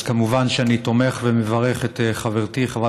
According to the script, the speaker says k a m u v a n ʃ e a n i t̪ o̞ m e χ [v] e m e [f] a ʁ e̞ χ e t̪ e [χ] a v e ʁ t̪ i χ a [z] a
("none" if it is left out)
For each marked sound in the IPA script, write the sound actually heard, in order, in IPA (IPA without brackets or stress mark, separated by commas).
v, v, χ, v